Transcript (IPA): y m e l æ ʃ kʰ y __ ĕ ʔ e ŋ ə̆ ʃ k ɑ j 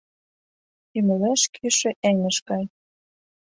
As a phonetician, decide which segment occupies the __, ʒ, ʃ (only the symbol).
ʃ